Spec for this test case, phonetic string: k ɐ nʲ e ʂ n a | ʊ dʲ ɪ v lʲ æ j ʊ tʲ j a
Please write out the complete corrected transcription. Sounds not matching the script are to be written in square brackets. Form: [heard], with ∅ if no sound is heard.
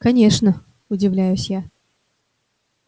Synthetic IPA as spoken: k ɐ nʲ e ʂ n [ə] | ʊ dʲ ɪ v lʲ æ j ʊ [sʲ] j a